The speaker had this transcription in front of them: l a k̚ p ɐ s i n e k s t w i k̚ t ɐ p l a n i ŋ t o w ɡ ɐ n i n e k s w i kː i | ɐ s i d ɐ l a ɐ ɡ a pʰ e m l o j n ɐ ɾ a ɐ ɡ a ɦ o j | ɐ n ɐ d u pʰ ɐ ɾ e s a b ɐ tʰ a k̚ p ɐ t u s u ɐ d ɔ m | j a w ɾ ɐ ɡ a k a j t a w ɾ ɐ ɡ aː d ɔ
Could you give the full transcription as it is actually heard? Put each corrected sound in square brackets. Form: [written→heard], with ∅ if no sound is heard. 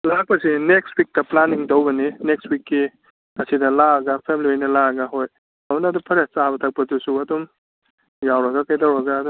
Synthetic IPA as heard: l a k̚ p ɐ s i n e k s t w i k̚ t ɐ p l a n i ŋ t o w [ɡ→b] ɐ n i n e k s w i kː i | ɐ s i d ɐ l a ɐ ɡ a pʰ e m l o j n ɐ [ɾ→l] a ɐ ɡ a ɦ o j | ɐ n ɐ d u pʰ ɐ ɾ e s a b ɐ tʰ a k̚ p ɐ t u s u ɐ d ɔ m | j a w ɾ ɐ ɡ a k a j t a w ɾ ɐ ɡ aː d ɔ